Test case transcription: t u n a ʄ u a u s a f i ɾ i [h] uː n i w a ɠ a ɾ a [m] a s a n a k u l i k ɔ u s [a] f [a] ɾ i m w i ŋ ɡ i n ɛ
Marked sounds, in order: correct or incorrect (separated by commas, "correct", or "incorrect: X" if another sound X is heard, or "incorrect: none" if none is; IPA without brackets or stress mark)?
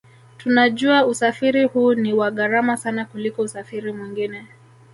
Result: correct, correct, correct, incorrect: i